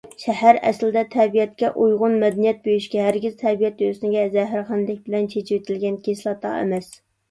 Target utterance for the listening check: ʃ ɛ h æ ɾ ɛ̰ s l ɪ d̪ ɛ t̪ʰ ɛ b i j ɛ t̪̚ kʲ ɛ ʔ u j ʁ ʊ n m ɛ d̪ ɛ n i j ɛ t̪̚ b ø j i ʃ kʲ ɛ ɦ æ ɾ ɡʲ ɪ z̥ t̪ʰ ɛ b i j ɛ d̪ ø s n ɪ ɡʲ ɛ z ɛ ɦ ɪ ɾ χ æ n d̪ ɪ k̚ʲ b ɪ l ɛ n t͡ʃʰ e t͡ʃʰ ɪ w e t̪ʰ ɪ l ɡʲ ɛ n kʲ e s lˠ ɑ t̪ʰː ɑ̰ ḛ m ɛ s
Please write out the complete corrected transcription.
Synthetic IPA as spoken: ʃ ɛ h æ ɾ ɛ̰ s l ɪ d̪ ɛ t̪ʰ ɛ b i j ɛ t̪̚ kʲ ɛ ʔ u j ʁ ʊ n m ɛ d̪ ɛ n i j ɛ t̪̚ b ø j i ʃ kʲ ɛ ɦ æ ɾ ɡʲ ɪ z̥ t̪ʰ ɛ b i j ɛ t̪ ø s n ɪ ɡʲ ɛ z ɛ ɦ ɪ ɾ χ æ n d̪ ɪ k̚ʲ b ɪ l ɛ n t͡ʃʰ e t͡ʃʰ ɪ w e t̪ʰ ɪ l ɡʲ ɛ n kʲ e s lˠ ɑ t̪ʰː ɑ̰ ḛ m ɛ s

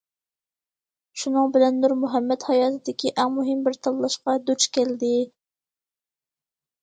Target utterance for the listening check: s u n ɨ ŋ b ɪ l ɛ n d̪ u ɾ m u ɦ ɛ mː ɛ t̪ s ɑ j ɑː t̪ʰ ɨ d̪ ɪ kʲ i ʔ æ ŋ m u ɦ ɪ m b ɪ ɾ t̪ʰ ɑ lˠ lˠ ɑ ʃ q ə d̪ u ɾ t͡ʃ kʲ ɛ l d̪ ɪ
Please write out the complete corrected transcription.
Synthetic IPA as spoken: ʃ u n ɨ ŋ b ɪ l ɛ n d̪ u ɾ m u ɦ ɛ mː ɛ t̪ h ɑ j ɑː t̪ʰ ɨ d̪ ɪ kʲ i ʔ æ ŋ m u ɦ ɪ m b ɪ ɾ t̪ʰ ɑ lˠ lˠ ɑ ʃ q ɑ d̪ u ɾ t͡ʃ kʲ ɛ l d̪ ɪ

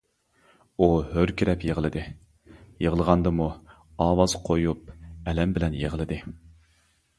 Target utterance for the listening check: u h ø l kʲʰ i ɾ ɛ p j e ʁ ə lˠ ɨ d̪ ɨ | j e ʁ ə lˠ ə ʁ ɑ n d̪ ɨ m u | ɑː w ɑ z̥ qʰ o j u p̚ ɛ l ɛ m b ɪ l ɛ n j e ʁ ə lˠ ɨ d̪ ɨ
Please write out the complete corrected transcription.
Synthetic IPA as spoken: u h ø ɾ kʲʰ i ɾ ɛ p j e ʁ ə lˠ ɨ d̪ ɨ | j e ʁ ə lˠ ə ʁ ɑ n d̪ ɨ m u | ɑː w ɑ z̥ qʰ o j u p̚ ɛ l ɛ m b ɪ l ɛ n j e ʁ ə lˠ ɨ d̪ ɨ

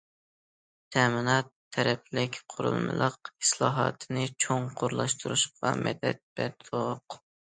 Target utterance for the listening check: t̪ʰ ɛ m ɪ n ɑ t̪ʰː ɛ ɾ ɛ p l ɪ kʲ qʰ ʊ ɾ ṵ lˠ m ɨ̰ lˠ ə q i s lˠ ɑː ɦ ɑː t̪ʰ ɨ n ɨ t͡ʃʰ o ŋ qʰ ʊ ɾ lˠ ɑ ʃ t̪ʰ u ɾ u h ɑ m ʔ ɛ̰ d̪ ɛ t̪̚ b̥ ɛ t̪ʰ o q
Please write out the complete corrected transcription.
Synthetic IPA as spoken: t̪ʰ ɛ m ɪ n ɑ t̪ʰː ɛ ɾ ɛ p l ɪ kʲ qʰ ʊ ɾ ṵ lˠ m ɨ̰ lˠ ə q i s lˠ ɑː ɦ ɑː t̪ʰ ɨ n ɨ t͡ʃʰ o ŋ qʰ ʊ ɾ lˠ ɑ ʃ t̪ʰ u ɾ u ʃ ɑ m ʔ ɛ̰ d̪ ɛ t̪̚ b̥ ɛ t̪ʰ o q

